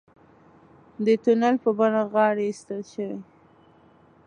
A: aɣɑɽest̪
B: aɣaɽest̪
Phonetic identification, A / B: A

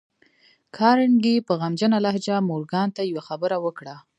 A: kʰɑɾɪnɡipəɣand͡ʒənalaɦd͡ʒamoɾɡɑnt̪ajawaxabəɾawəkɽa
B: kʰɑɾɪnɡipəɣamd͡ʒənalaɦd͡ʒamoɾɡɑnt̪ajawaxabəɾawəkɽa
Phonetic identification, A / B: B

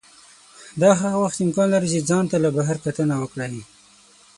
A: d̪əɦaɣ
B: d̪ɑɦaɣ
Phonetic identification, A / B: B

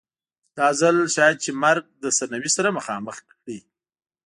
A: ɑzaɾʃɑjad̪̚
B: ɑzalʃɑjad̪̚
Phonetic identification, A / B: B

